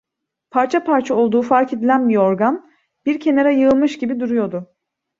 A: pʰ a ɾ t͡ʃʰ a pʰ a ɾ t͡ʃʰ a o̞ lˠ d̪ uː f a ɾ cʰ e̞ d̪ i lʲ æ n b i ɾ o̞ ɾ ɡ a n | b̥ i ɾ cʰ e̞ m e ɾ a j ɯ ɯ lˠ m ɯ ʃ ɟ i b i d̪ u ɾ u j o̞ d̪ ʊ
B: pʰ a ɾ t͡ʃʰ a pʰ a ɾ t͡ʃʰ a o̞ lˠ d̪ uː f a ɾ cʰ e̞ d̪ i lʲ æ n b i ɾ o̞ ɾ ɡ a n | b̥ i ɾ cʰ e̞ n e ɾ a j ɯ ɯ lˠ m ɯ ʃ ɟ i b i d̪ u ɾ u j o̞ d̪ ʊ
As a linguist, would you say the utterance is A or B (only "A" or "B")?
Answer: B